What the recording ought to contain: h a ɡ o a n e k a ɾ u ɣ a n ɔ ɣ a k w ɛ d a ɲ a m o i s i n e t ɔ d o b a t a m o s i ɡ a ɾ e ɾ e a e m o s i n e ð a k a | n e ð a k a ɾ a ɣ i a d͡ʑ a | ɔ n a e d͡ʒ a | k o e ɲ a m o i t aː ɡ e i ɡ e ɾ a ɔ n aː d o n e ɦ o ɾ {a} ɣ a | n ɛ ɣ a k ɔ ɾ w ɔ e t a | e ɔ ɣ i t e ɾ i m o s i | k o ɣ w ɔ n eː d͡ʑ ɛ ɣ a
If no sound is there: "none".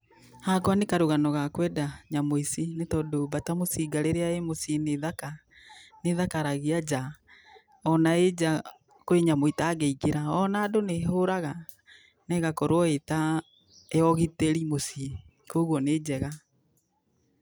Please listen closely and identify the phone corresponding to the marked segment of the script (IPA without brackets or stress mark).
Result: a